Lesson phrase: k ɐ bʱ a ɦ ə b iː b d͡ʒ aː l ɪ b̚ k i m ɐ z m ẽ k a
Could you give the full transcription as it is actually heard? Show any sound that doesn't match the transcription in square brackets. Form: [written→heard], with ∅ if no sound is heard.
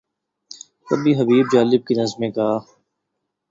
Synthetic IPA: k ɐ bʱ [a→i] ɦ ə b iː b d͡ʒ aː l ɪ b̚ k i [m→n] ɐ z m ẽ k a